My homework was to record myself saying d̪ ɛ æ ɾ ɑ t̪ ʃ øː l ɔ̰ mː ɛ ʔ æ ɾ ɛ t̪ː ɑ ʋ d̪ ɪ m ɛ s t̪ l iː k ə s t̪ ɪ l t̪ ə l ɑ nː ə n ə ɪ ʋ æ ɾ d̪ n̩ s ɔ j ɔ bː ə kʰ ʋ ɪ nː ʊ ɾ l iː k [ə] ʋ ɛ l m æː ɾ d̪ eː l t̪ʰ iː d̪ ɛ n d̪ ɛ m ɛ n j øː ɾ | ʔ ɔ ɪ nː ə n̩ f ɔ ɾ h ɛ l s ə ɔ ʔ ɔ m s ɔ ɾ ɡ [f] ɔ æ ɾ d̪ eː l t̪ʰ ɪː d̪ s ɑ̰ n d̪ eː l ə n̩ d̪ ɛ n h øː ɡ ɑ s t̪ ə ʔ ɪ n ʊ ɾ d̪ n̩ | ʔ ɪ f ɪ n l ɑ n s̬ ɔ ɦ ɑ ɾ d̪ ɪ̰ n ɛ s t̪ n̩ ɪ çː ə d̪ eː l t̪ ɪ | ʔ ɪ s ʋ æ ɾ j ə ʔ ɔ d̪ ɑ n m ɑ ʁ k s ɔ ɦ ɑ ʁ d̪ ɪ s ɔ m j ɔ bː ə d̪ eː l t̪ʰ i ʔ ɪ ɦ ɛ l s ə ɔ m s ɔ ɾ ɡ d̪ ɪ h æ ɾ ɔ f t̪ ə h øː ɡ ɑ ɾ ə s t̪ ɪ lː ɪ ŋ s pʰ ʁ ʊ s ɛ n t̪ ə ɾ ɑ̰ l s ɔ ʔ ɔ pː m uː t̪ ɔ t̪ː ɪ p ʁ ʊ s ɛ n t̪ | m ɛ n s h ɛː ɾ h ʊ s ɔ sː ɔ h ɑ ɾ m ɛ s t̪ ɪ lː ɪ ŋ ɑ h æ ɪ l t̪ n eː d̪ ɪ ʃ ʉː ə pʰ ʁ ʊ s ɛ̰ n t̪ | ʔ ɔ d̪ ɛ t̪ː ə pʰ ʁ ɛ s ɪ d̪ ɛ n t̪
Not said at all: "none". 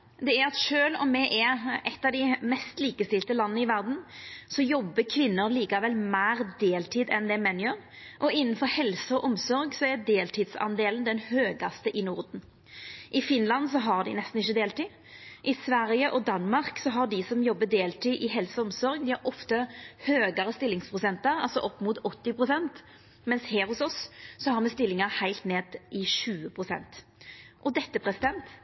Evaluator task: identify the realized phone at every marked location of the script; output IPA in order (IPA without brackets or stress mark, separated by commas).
ɑ, s